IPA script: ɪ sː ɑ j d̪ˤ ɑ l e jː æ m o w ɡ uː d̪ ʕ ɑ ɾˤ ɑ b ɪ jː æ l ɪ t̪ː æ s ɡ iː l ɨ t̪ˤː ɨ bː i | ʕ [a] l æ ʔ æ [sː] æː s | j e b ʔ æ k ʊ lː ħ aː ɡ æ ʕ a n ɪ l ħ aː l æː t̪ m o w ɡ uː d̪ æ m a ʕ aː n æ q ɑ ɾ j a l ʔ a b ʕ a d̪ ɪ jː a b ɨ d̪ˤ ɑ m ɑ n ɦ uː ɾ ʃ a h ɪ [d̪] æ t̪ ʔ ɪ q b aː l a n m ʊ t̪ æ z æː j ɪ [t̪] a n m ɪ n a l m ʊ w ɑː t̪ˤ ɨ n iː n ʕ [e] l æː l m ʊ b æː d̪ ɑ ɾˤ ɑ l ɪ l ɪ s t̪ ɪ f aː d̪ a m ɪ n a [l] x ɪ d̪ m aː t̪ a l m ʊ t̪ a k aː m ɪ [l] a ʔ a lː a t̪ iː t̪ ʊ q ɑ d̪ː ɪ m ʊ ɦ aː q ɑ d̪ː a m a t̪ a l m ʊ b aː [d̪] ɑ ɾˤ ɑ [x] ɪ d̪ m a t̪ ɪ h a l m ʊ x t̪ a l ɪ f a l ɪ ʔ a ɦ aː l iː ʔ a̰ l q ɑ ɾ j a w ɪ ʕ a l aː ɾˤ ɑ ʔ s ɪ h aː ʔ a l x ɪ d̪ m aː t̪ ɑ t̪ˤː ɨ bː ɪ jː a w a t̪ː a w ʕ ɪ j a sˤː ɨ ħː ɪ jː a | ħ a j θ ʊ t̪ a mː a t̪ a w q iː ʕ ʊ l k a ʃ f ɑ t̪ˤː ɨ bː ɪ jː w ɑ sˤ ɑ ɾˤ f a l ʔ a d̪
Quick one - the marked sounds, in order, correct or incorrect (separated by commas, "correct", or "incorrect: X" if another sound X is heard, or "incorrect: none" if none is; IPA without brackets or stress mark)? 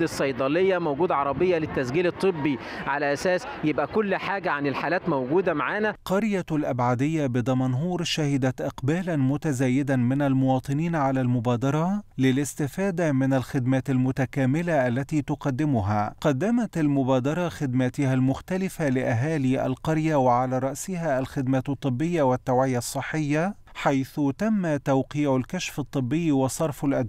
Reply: correct, incorrect: s, correct, incorrect: d̪, incorrect: a, correct, correct, correct, correct